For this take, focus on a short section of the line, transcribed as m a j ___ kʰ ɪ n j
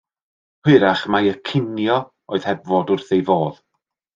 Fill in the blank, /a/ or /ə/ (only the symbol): ə